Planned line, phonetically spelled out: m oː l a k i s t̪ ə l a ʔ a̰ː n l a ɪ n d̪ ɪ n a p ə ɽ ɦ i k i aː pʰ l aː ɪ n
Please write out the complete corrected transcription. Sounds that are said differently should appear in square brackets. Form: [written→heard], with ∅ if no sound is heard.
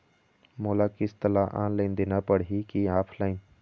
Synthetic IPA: m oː l a k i s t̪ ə l a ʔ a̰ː n l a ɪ n d̪ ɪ n a p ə ɽ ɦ i k i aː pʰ l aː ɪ n